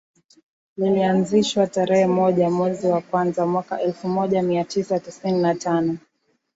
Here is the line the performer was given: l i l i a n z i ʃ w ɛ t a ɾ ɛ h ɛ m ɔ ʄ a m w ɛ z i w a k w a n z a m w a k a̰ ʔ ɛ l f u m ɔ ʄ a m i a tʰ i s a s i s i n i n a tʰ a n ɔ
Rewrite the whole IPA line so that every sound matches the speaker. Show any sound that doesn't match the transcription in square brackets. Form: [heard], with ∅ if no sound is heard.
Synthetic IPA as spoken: l i l i a n z i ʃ w [a] t a ɾ ɛ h ɛ m ɔ ʄ a m w ɛ z i w a k w a n z a m w a k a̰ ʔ ɛ l f u m ɔ ʄ a m i a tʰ i s a [t] i s i n i n a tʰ a n ɔ